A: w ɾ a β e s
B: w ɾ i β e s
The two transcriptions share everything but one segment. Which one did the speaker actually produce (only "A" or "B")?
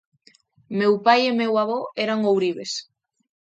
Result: B